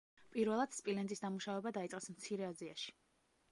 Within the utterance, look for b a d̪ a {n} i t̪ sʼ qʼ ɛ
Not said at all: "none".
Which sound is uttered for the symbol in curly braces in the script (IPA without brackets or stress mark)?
none